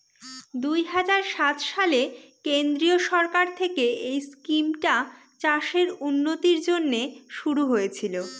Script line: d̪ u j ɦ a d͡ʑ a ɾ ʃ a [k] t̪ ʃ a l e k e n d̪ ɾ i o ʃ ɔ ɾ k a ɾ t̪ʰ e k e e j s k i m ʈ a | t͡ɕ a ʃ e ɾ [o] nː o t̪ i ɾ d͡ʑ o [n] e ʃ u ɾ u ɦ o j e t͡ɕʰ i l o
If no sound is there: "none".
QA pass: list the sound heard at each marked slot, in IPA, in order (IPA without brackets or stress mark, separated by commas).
none, u, nː